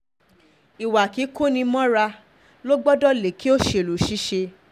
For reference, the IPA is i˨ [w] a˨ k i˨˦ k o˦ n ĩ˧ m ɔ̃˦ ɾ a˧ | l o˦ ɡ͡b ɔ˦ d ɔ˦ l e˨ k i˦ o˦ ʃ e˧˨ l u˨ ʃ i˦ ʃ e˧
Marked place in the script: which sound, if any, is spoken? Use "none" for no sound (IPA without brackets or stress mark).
w